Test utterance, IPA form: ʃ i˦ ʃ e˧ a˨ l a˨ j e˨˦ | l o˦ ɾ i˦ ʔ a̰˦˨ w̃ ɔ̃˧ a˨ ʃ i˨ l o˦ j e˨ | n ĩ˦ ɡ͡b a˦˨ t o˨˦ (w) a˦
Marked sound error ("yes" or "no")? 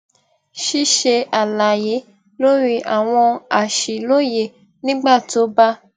yes